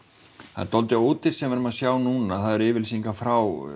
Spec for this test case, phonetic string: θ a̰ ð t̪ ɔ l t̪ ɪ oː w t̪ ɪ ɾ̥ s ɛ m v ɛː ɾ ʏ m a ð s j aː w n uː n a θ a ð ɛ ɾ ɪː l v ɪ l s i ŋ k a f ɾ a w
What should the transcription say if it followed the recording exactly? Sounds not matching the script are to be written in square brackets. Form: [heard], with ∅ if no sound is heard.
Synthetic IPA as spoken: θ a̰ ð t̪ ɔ l t̪ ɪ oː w t̪ ɪ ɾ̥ s ɛ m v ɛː ɾ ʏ m a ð s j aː w n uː n a θ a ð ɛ ɾ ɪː [∅] v ɪ l s i ŋ k a f ɾ a w